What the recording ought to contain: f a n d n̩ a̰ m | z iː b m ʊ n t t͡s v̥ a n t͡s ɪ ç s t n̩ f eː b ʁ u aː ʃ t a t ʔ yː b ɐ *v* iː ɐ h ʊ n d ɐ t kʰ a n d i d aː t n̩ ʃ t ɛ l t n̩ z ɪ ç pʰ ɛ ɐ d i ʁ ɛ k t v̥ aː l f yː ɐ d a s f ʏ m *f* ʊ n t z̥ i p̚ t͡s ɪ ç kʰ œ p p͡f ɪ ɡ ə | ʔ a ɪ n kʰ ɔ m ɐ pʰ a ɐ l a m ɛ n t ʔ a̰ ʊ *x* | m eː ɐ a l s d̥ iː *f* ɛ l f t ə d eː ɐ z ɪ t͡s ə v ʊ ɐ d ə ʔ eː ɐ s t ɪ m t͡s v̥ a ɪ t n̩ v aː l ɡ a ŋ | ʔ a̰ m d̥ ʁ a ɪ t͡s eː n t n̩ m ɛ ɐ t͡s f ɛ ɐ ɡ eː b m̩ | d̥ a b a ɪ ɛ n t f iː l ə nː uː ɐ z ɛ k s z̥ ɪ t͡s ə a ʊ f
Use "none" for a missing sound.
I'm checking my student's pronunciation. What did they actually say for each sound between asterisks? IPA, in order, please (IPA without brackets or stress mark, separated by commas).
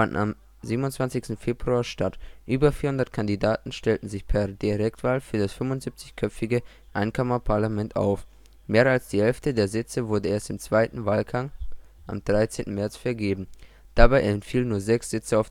f, v, f, h